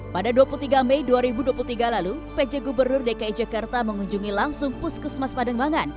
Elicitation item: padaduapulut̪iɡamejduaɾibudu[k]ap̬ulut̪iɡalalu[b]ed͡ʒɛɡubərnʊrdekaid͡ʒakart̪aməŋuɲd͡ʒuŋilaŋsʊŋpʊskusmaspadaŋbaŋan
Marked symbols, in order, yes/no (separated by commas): no, no